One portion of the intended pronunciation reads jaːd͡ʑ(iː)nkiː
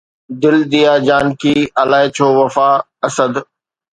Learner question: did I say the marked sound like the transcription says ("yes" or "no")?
no